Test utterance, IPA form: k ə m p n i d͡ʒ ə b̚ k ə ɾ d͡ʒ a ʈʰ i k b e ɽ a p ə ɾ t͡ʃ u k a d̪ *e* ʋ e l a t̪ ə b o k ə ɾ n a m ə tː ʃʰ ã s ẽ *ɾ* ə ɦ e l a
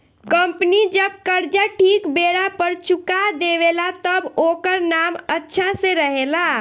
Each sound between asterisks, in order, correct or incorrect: correct, correct

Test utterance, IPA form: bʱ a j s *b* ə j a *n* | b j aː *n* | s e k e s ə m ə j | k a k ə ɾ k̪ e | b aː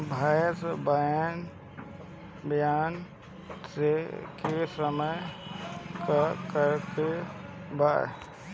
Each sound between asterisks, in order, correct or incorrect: correct, correct, correct

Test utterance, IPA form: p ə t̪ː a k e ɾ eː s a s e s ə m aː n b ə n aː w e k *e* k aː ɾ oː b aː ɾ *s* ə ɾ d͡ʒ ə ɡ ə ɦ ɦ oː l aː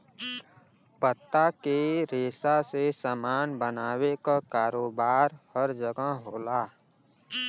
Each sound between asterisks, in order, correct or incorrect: incorrect: a, incorrect: h

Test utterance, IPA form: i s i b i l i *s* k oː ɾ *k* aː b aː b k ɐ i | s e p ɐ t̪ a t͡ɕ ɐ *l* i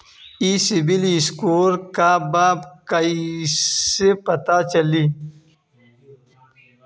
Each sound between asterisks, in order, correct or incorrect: correct, correct, correct

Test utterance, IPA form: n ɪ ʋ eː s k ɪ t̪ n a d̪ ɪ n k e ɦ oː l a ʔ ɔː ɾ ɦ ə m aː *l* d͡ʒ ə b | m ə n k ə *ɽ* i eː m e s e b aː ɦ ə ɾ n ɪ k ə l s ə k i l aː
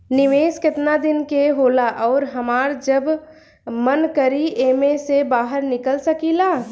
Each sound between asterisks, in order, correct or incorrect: incorrect: ɾ, incorrect: ɾ

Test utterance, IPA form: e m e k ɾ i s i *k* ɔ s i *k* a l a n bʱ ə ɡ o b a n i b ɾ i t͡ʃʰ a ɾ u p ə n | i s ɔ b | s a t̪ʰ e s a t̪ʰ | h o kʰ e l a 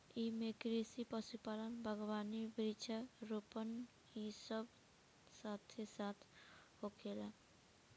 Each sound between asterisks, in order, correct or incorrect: incorrect: p, incorrect: p

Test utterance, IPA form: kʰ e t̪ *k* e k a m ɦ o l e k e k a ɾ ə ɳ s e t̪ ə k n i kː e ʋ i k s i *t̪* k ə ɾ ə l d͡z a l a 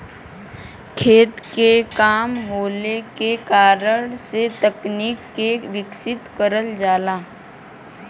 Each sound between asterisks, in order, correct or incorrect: correct, correct

